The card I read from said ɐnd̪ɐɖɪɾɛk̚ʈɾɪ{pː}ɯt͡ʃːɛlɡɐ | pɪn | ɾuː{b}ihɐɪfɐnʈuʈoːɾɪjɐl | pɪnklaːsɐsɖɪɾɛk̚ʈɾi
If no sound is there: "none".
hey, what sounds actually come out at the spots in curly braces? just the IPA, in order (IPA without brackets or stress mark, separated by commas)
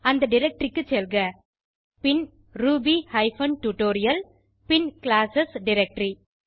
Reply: kː, b